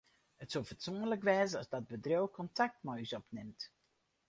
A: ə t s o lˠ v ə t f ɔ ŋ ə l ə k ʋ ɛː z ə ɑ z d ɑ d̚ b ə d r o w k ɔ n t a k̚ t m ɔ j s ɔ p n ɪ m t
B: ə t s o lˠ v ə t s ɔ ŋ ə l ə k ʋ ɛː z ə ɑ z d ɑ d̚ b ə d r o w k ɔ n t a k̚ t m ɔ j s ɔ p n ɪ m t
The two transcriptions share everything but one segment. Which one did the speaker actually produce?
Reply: B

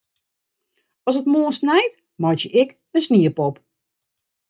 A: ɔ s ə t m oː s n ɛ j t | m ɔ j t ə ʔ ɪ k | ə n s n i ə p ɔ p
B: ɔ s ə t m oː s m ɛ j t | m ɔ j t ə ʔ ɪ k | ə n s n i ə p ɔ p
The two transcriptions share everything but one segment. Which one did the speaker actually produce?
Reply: A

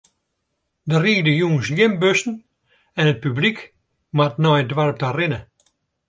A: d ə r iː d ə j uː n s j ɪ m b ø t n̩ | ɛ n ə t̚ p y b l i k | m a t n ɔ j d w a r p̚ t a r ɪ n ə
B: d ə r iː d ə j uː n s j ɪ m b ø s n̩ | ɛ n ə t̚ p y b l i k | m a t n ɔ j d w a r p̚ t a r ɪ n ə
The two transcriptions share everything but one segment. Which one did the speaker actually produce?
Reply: B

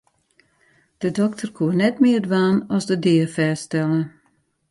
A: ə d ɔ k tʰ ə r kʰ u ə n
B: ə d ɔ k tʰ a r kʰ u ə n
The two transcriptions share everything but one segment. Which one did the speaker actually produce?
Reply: A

